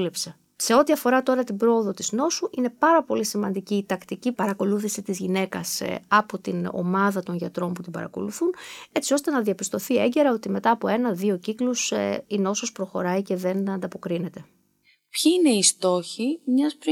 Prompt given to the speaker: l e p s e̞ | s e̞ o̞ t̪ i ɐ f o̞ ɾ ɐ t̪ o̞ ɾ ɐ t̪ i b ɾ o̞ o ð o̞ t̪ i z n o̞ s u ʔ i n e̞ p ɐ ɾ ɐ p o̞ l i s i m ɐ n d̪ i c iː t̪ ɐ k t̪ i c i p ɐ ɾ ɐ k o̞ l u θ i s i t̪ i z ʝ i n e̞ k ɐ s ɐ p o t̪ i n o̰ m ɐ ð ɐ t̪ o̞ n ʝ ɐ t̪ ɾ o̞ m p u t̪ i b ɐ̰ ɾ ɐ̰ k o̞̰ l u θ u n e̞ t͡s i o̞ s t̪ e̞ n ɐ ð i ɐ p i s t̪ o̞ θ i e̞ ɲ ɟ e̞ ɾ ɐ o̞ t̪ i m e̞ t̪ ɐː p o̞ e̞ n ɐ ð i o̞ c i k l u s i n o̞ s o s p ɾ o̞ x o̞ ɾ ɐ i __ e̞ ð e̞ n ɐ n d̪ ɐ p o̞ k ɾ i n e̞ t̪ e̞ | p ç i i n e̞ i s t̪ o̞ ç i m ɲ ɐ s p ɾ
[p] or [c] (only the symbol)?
c